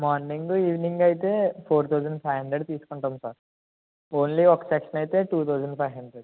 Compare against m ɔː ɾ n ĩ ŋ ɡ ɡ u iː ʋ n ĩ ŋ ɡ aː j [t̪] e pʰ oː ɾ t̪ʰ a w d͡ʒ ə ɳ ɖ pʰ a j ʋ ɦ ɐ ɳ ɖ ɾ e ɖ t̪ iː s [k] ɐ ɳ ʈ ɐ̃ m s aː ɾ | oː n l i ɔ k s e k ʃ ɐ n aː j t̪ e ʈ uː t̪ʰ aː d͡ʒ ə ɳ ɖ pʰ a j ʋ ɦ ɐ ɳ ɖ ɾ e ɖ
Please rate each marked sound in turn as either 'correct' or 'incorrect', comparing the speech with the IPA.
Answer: correct, correct

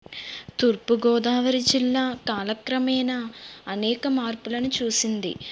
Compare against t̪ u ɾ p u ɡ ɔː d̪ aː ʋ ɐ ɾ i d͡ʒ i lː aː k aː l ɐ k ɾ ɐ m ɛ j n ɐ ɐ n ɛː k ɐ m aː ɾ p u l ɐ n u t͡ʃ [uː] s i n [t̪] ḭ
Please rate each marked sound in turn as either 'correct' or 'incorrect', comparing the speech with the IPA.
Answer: correct, incorrect

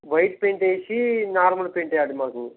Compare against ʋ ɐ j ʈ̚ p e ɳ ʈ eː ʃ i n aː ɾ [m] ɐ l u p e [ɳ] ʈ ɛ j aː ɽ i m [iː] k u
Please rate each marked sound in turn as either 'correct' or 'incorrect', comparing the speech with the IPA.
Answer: correct, correct, incorrect

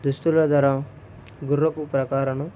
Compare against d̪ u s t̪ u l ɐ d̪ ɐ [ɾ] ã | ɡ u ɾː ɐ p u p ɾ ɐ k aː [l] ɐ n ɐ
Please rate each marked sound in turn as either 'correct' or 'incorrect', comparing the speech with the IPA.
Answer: correct, incorrect

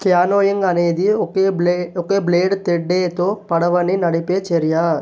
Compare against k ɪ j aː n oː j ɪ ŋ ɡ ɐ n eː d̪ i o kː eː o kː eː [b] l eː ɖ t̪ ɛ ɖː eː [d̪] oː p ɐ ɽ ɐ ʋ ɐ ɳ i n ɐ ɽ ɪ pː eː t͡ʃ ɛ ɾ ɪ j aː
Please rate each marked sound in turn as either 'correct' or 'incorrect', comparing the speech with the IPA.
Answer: correct, incorrect

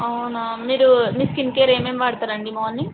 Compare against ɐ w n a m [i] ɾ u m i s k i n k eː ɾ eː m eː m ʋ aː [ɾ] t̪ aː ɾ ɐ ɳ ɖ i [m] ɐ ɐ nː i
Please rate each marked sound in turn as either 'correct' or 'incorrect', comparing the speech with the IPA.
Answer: incorrect, incorrect, correct

